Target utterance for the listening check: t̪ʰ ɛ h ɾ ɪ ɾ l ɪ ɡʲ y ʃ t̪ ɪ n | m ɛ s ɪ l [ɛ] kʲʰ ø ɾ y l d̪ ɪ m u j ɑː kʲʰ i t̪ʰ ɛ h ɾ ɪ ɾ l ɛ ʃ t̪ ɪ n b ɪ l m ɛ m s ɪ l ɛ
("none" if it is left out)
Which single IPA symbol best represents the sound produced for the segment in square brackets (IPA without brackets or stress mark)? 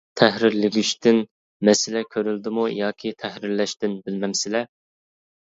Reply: ɛ